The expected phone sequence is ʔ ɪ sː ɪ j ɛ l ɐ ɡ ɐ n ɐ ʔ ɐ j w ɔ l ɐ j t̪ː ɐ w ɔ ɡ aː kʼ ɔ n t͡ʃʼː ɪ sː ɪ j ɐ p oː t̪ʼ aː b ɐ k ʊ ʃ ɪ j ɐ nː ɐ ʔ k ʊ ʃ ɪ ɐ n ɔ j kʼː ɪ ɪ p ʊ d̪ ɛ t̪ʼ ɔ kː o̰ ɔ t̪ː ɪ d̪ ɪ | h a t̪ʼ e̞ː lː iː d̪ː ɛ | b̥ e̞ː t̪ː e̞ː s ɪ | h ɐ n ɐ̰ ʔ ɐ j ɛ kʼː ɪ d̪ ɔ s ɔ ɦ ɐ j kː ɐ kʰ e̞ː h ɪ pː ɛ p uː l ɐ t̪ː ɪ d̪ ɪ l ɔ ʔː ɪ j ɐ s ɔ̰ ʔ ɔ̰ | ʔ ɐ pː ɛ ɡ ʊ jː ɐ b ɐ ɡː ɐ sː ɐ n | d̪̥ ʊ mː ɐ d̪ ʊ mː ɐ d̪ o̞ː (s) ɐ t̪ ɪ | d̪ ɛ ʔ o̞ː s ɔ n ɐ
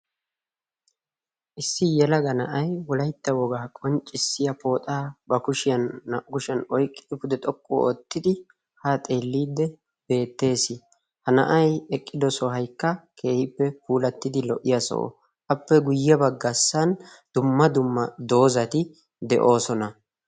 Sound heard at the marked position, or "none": z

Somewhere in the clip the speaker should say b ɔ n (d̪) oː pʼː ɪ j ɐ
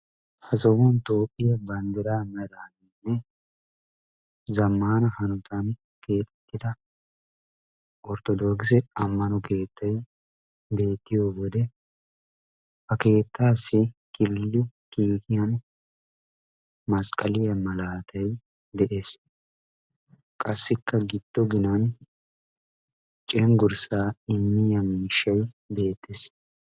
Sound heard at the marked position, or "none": t̪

